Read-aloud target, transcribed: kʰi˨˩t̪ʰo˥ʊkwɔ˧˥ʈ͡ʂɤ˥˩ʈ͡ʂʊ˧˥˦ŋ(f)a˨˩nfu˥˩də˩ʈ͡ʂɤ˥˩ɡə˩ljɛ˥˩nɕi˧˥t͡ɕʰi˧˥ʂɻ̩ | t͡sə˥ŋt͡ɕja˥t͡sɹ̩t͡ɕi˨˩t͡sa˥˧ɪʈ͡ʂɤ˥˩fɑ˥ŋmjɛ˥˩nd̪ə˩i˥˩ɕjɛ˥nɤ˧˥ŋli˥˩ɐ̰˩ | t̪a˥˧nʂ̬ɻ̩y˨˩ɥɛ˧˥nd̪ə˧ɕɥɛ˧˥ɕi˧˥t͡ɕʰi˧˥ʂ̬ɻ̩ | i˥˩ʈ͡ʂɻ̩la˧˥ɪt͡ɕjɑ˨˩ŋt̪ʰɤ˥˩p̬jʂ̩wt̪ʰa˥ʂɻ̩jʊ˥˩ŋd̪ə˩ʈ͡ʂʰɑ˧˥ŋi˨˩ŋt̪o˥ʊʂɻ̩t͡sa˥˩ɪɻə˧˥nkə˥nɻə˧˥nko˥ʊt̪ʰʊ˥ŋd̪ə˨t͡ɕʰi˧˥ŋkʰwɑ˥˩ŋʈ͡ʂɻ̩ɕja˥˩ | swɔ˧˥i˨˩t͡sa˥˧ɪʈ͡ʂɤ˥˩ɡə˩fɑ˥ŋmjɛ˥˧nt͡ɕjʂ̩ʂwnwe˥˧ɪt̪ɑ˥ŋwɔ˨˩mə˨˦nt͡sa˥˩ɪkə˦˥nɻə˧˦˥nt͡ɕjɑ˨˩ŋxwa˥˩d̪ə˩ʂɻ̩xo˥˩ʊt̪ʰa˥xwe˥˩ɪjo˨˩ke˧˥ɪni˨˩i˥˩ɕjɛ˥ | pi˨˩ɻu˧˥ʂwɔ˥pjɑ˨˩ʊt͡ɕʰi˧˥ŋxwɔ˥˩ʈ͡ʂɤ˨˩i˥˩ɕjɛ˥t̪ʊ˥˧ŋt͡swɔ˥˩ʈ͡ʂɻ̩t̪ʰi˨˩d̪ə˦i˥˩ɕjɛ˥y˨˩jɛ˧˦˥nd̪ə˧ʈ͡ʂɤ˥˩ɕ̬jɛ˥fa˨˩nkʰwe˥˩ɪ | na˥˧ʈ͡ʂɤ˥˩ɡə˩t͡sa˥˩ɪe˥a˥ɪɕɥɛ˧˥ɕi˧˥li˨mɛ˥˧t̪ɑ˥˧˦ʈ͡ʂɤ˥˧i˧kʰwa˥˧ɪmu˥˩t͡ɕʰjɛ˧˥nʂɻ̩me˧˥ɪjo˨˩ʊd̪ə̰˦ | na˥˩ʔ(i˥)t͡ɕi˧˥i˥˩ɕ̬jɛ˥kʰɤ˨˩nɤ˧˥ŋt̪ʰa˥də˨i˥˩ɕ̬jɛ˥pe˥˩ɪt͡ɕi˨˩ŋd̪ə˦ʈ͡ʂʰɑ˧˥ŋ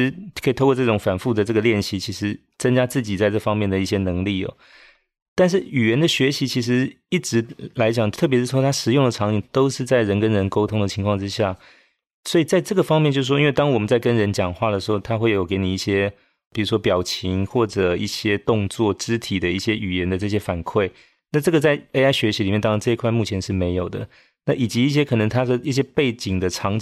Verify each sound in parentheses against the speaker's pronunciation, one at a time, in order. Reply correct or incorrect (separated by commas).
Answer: correct, incorrect